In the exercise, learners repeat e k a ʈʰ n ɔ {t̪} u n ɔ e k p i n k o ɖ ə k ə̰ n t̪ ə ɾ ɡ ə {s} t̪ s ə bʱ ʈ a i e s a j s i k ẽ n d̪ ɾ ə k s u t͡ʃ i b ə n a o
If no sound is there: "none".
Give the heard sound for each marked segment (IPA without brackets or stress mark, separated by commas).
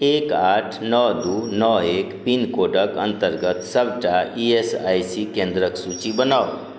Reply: d̪, none